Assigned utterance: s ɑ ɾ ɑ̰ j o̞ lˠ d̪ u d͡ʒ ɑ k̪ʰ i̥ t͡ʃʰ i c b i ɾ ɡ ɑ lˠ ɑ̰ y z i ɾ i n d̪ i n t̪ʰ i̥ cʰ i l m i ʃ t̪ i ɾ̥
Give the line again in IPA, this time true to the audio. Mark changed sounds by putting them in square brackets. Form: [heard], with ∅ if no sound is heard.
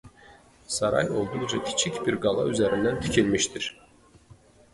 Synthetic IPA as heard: s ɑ ɾ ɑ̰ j o̞ lˠ d̪ u d͡ʒ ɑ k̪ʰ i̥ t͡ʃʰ i c b i ɾ ɡ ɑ lˠ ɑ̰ y z [æ] ɾ i n d̪ [æ] n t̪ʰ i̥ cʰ i l m i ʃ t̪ i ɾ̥